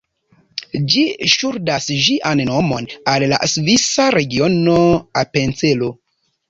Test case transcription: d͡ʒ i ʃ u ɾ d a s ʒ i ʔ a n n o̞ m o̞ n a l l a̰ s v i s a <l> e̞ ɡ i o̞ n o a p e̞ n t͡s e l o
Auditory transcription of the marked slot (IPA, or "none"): ɾ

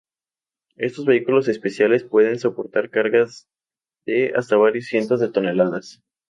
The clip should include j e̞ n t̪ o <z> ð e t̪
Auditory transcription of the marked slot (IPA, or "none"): z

